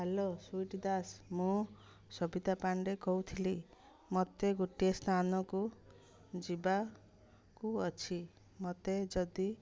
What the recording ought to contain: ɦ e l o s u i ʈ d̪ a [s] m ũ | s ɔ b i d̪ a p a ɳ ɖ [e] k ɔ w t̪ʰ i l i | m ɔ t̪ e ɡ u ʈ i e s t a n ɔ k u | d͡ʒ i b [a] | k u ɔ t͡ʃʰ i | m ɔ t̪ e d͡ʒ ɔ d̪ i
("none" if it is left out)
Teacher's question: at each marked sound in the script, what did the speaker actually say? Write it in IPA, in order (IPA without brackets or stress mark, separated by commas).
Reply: s, e, a